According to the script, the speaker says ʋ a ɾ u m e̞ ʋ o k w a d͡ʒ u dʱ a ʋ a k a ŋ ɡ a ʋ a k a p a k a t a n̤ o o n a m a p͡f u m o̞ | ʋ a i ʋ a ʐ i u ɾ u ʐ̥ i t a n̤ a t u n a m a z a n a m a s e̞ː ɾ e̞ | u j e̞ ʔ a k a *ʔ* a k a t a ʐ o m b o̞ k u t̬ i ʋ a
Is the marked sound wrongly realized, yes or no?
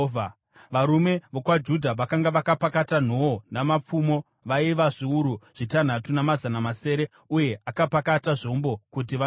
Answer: yes